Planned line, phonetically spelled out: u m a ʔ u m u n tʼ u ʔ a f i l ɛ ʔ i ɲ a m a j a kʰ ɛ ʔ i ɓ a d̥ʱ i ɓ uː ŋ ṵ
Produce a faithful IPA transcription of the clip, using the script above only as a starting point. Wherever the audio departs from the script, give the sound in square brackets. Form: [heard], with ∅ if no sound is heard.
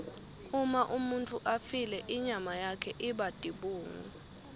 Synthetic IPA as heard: u m a ʔ u m u n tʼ u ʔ a f i l ɛ ʔ i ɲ a m a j a kʰ ɛ ʔ i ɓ a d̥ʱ i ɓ uː ŋ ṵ